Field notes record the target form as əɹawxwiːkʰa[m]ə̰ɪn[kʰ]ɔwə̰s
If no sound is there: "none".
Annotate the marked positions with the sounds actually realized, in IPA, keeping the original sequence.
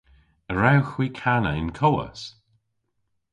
n, kʰ

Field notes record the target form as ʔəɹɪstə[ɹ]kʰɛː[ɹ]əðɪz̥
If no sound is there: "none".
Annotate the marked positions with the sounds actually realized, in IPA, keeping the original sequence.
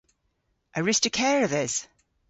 none, ɹ

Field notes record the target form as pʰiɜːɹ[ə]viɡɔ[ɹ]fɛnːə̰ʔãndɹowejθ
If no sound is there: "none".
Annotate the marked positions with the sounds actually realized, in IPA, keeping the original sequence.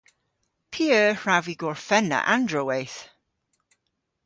a, ɹ

